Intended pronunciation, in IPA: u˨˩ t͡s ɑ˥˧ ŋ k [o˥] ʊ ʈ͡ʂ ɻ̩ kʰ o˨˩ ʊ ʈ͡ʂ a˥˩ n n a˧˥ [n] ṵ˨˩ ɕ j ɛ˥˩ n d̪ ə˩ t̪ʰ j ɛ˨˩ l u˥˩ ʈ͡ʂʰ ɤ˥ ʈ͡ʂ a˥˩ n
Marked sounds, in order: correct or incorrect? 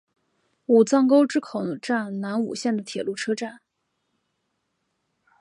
correct, correct

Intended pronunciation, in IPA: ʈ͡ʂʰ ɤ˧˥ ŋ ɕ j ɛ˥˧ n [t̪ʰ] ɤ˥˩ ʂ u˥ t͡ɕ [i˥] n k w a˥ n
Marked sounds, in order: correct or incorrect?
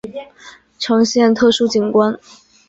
correct, incorrect

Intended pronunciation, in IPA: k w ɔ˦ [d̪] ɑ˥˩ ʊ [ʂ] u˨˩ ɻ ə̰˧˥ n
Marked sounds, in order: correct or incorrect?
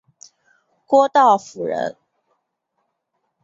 incorrect, incorrect

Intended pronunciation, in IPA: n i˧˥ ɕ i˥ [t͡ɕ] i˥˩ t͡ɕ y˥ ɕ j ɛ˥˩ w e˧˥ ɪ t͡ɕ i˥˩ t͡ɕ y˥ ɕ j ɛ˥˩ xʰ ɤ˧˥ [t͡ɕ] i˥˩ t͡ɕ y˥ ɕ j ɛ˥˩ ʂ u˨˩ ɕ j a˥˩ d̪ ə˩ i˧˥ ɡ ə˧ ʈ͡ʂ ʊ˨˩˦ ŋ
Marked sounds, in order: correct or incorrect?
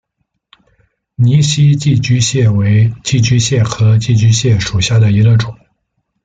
correct, correct

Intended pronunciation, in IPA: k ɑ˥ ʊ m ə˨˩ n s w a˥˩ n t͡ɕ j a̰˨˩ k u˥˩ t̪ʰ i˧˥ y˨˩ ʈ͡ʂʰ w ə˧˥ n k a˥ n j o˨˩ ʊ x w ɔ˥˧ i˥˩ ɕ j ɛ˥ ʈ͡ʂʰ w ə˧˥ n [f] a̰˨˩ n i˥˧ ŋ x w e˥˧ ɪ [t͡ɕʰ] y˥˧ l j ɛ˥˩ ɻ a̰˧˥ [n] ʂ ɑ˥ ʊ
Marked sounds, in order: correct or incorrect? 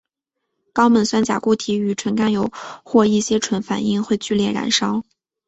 correct, incorrect, correct

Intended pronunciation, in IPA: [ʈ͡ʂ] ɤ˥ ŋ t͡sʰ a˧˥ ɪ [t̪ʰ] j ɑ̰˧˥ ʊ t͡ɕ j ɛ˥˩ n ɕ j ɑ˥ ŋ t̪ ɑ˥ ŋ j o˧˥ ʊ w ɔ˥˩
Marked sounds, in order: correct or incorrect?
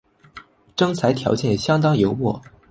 correct, correct

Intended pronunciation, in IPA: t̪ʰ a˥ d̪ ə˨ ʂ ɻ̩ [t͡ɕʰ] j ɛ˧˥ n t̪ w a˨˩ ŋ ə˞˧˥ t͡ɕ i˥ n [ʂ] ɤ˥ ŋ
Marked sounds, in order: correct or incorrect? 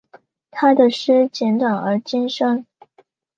incorrect, correct

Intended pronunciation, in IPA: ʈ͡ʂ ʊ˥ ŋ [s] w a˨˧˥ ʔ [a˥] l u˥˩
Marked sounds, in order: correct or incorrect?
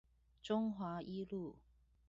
incorrect, incorrect

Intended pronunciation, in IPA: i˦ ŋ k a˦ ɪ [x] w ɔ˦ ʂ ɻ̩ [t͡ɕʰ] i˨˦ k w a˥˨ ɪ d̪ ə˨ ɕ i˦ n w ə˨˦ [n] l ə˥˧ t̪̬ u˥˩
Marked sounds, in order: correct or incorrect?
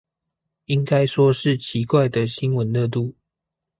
incorrect, correct, correct

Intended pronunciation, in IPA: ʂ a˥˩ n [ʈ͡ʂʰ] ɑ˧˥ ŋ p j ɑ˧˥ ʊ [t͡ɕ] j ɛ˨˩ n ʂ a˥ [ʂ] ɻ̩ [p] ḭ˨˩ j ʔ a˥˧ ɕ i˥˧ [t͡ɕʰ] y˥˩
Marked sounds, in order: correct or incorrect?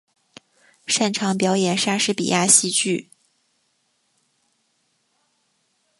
correct, incorrect, correct, correct, incorrect

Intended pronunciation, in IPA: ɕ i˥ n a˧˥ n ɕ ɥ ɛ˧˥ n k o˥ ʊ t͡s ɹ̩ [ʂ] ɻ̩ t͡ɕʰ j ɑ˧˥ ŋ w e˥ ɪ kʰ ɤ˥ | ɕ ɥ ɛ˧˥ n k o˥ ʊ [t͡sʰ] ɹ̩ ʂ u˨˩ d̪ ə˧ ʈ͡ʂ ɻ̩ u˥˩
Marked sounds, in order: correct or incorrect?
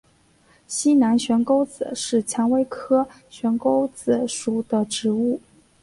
correct, incorrect

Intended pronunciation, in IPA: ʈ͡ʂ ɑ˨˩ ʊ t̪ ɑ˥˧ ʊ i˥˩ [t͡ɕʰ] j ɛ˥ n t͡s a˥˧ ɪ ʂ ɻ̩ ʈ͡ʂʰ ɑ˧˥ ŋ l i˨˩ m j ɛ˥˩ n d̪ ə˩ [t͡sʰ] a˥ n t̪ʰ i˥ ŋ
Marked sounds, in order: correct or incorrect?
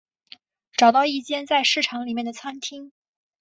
incorrect, correct

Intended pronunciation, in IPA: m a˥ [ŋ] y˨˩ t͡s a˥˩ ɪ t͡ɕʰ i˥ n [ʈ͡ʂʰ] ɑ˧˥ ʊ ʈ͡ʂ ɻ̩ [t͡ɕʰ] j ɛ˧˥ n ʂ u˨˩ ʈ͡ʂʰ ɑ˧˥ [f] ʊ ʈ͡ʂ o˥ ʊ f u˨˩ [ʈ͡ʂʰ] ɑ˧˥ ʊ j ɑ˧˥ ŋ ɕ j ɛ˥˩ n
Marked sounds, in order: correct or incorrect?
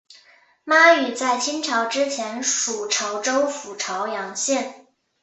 incorrect, correct, correct, incorrect, correct

